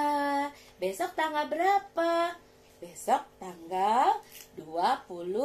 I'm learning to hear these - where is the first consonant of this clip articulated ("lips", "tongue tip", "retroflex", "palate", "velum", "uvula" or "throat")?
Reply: lips